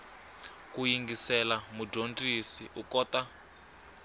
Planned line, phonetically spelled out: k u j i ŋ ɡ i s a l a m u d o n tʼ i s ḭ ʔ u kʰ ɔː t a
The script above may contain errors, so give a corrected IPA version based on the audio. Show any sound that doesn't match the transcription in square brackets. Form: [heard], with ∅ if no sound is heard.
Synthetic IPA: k u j i ŋ ɡ i s [ɛ] l a m u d o n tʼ i s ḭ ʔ u [k] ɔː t a